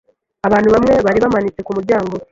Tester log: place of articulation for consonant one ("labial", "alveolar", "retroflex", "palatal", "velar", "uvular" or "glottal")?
labial